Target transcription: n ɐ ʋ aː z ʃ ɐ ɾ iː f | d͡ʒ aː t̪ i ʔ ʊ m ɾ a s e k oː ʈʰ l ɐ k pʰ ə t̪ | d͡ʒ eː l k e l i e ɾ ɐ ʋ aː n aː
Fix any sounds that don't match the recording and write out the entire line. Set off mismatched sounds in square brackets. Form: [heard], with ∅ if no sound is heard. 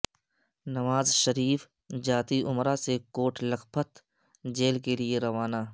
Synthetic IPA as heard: n ɐ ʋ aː z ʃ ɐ ɾ iː f | d͡ʒ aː t̪ i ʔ ʊ m ɾ a s e k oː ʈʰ l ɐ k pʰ ə t̪ | d͡ʒ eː l k e l i e ɾ ɐ ʋ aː n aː